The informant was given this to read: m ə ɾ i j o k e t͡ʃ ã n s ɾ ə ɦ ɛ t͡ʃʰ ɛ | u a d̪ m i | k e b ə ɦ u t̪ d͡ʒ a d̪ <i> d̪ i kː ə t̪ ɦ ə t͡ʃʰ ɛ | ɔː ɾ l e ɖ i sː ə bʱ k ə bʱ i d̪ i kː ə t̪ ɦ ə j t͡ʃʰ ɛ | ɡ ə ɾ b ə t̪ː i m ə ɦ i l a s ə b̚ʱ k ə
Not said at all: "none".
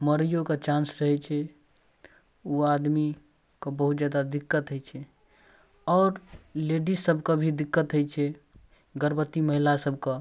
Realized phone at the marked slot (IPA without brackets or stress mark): a